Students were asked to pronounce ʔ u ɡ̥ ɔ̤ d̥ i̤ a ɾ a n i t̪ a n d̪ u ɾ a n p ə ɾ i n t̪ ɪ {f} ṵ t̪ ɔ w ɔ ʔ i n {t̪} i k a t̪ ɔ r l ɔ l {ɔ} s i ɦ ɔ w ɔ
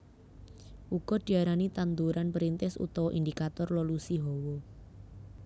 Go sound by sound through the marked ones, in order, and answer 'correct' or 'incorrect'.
incorrect: s, incorrect: d̪, incorrect: u

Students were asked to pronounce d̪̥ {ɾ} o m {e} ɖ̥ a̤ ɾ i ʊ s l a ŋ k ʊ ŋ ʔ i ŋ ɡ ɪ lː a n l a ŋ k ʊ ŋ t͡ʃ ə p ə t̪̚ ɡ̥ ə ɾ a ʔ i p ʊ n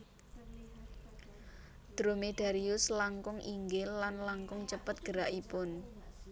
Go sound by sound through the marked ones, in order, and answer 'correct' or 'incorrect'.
correct, correct

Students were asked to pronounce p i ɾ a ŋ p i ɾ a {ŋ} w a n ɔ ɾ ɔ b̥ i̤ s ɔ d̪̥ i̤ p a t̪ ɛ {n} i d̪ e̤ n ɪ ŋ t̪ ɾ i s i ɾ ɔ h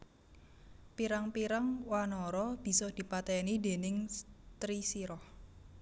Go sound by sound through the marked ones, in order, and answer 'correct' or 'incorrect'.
correct, correct

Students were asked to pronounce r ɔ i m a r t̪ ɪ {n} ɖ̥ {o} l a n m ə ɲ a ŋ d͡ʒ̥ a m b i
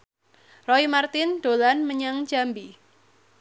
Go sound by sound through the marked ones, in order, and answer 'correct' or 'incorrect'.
correct, correct

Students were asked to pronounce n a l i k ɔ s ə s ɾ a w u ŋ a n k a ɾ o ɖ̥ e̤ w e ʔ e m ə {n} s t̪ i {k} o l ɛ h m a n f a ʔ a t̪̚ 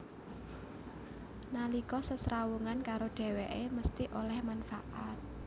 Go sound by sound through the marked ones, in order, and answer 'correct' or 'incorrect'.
incorrect: none, incorrect: ʔ

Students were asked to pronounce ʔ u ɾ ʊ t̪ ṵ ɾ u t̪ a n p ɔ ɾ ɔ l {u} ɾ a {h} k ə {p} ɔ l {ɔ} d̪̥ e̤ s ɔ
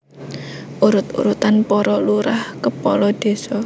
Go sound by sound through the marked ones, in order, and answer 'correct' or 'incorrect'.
correct, correct, correct, correct

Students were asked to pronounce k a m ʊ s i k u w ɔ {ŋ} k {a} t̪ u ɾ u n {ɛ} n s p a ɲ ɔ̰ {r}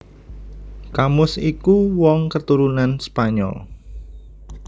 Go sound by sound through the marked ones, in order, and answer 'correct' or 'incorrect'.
correct, incorrect: ə, incorrect: a, incorrect: l

